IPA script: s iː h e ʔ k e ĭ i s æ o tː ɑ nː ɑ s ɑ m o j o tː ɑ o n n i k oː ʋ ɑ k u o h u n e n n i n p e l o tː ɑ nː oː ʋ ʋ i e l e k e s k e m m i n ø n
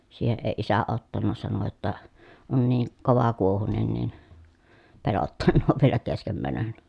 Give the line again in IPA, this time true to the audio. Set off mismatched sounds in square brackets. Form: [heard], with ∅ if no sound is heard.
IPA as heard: s iː h e ʔ [ʔ] e ĭ i s æ o tː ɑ nː ɑ s ɑ [n] o j o tː ɑ o n n [iː] k [o] ʋ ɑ k u o h u n e n n i n p e l o tː ɑ nː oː ʋ ʋ i e l [æ] k e s k e m m [æ] n ø n

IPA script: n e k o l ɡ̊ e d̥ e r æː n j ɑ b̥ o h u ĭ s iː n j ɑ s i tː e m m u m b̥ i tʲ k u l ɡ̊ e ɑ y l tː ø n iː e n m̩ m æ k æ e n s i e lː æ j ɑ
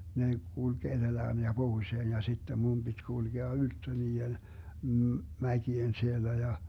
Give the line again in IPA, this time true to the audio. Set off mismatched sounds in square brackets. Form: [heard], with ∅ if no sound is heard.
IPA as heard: n e k [u] l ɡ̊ e d̥ e [l] æː n j ɑ b̥ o h u ĭ s [eː] n j ɑ s i tː e m m u m b̥ i tʲ k u l ɡ̊ e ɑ y l tː ø n iː e n m̩ m æ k [i] e n s i e lː æ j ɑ

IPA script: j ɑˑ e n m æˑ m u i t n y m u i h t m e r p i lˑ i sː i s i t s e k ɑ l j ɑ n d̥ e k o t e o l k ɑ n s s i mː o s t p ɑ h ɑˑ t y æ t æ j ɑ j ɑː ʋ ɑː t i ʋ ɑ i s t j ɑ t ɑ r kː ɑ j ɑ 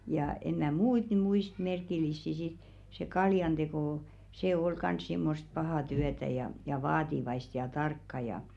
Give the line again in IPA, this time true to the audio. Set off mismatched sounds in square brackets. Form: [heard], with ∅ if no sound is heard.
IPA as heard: j ɑˑ e n m æˑ m u i t n y m u i [s] t m e r [k] i lˑ i sː i s i t s e k ɑ l j ɑ n d̥ e k o [s] e o l k ɑ n s s i mː o s t p ɑ h ɑˑ t y æ t æ j ɑ j [ɑ] ʋ ɑː t i ʋ ɑ i s t j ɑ t ɑ r kː ɑ j ɑ

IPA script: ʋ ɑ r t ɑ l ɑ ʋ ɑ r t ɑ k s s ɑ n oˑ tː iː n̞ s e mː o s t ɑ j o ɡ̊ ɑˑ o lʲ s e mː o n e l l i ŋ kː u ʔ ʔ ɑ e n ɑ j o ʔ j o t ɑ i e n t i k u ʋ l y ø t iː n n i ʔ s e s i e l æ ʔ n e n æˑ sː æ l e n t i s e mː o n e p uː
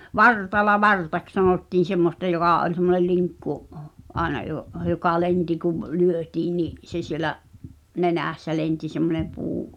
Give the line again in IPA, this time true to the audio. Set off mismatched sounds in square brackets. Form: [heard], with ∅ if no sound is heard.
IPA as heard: ʋ ɑ r t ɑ l ɑ ʋ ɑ r t ɑ k s s ɑ n oˑ tː iː n̞ s e mː o s t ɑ j o ɡ̊ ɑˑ o lʲ s e mː o n e l l i ŋ kː u ʔ ʔ ɑ e n ɑ j o ʔ j o [k] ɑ i e n t i k u ʋ l y ø t iː n n i ʔ s e s i e l æ ʔ n e n æˑ sː æ l e n t i s e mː o n e p uː

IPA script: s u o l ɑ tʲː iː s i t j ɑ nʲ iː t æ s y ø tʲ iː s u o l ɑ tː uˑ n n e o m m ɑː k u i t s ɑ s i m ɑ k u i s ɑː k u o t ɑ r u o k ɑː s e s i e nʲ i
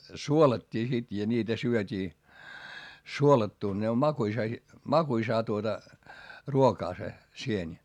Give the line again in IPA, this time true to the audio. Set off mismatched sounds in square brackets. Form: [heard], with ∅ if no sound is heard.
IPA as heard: s u o l ɑ tʲː iː s i t j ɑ nʲ iː t æ s y ø tʲ iː s u o l ɑ tː uˑ n n e o m m [ɑ] k u i [∅] s ɑ s i m ɑ k u i s ɑː [t] u o t ɑ r u o k ɑː s e s i e nʲ i

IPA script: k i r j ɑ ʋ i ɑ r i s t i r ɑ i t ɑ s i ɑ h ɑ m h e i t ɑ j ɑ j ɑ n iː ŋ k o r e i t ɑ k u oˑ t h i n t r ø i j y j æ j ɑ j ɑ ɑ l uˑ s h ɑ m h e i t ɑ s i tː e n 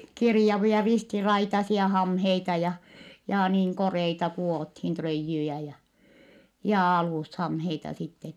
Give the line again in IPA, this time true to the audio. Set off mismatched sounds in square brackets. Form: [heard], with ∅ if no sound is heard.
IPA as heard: k i r j ɑ ʋ i ɑ r i s t i r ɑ i t ɑ s i ɑ h ɑ m h e i t ɑ j ɑ j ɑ n iː ŋ k o r e i t ɑ k u oˑ t h i n t r ø i [jː] y j æ j ɑ j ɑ ɑ l uˑ s h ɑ m h e i t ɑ s i tː e n

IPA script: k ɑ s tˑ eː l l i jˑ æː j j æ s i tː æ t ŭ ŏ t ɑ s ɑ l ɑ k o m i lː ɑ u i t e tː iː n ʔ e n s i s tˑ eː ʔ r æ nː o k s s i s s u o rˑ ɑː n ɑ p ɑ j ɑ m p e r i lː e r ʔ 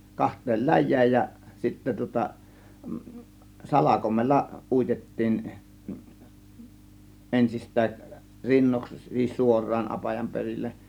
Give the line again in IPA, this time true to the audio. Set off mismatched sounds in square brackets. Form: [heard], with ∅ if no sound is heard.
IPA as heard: k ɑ [h] tˑ eː l l [æ] jˑ æː j j æ s i tː æ t ŭ ŏ t ɑ s ɑ l ɑ k o m [e] lː ɑ u i t e tː iː n ʔ e n s i s tˑ [æː] ʔ r [i] nː o k s s i s s u o rˑ ɑː n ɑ p ɑ j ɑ m p e r i lː e [∅] ʔ

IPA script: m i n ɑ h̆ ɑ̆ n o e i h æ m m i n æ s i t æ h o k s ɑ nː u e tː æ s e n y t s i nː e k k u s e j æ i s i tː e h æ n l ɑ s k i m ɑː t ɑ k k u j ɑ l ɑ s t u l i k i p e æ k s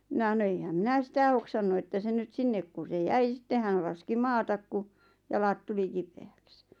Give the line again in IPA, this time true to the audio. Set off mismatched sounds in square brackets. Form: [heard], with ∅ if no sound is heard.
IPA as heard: m i n ɑ h̆ ɑ̆ n o e i h æ m m i n æ s i t æ h o k s ɑ nː u e tː æ s e n y t s i nː e k k u s e j æ i s i tː e h æ n l ɑ s k i m ɑː t ɑ k k u j ɑ l ɑ [t] t u l i k i p e æ k s

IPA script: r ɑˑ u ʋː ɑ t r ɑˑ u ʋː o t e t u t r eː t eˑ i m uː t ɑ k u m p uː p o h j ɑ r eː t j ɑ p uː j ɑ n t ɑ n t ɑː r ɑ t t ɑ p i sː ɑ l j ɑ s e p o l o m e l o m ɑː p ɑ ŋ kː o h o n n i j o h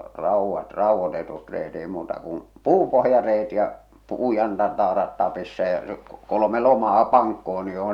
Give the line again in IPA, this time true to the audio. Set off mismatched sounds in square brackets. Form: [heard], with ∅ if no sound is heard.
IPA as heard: r ɑˑ u ʋː ɑ t r ɑˑ u ʋː o t e t u t r eː t eˑ i m uː t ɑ k u m p uː p o h j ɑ r eː t j ɑ p uː j ɑ n t ɑ n t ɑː r ɑ t t ɑ p i sː ɑ [∅] j ɑ s e [k] o l o m e l o m ɑː p ɑ ŋ kː o h o n n i j o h

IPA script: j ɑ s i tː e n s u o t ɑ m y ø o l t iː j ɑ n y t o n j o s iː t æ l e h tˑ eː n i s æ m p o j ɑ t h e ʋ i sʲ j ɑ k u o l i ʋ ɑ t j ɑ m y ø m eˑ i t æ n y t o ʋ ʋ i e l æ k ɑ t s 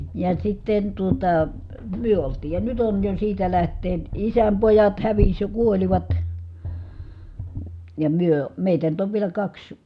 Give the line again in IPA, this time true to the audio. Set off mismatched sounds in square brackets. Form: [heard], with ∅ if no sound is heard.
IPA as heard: j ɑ s i tː e n [t] u o t ɑ m y ø o l t iː j ɑ n y t o n j o s iː t æ l [æ] h tˑ eː n i s æ m p o j ɑ t h [æ] ʋ i sʲ j ɑ k u o l i ʋ ɑ t j ɑ m y ø m eˑ i t æ n y t o ʋ ʋ i e l æ k ɑ [k] s

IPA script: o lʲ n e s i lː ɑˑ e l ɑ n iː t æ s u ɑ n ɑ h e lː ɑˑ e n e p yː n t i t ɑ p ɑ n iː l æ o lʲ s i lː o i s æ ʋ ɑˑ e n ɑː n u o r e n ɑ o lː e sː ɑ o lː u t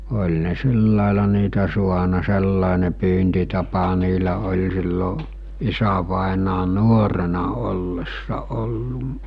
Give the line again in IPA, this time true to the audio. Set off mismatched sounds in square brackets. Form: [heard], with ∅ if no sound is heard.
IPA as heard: o lʲ n e s i lː ɑˑ e l ɑ n iː t æ s u ɑ n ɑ [s] e lː ɑˑ e n e p yː n t i t ɑ p ɑ n iː l æ o lʲ s i lː o i s æ ʋ ɑˑ e n ɑː n u o r e n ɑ o lː e sː ɑ o lː u [ʔ]

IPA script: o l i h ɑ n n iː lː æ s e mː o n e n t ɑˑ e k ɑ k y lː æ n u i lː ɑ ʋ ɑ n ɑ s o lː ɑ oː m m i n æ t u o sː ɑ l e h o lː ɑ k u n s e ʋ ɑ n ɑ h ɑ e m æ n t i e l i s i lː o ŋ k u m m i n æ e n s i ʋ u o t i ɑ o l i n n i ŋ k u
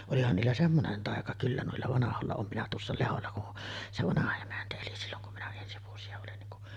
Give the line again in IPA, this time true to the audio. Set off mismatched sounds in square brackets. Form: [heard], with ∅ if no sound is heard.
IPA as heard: o l i h ɑ n n iː lː æ s e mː o n e n t ɑˑ e k ɑ k y lː æ n u i lː ɑ ʋ ɑ n ɑ [h] o lː ɑ oː m m i n æ t u o sː ɑ l e h o lː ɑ k u n s e ʋ ɑ n ɑ h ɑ e m æ n t [æ] e l i s i lː o ŋ k u m m i n æ e n s i ʋ u o [s] i ɑ o l i n n i ŋ k u

